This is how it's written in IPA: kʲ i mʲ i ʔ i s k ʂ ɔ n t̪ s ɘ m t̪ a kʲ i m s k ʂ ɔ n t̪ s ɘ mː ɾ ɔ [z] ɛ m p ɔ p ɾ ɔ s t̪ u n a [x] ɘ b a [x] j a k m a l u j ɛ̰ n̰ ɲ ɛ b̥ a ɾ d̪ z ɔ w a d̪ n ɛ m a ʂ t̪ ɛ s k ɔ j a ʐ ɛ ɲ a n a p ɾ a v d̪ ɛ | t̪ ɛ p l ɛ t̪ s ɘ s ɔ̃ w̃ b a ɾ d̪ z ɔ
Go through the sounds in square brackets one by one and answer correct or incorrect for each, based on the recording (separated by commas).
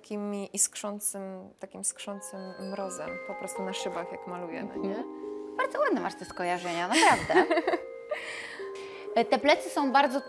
correct, incorrect, correct